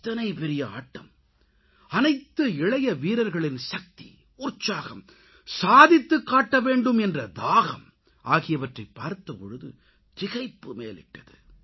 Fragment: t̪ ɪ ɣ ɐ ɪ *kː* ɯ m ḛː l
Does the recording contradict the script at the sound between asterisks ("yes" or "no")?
yes